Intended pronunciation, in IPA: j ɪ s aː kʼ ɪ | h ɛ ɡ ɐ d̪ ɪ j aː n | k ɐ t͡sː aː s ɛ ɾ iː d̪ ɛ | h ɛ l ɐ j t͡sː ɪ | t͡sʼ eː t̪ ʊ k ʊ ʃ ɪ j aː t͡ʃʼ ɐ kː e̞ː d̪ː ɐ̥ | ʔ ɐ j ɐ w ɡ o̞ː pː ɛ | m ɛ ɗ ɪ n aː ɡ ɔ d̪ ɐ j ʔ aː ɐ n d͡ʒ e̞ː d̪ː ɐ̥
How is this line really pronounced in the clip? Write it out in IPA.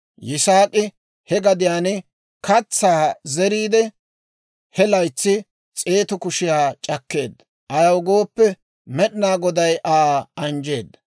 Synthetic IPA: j ɪ s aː kʼ ɪ | h ɛ ɡ ɐ d̪ ɪ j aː n | k ɐ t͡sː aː z ɛ ɾ iː d̪ ɛ | h ɛ l ɐ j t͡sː ɪ | t͡sʼ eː t̪ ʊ k ʊ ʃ ɪ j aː t͡ʃʼ ɐ kː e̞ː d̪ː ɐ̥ | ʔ ɐ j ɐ w ɡ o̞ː pː ɛ | m ɛ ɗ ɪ n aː ɡ ɔ d̪ ɐ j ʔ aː ɐ n d͡ʒ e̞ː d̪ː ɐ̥